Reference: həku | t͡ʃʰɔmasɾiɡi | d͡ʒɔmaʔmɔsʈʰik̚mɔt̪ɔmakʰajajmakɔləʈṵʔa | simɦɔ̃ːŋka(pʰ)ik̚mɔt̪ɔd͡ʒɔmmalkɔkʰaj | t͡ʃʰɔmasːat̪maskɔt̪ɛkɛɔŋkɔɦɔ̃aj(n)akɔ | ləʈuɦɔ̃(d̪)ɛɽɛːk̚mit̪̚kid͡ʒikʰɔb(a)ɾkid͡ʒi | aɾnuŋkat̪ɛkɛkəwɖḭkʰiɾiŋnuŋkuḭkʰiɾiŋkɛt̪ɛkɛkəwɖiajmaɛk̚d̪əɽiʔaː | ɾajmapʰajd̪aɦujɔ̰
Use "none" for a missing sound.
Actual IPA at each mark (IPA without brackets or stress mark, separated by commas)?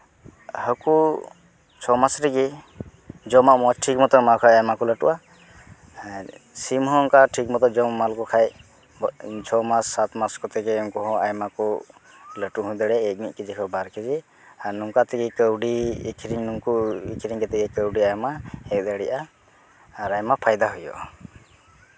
ʈʰ, m, d̪, a